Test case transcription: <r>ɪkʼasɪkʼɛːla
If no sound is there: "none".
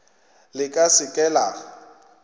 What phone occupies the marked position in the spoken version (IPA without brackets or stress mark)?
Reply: l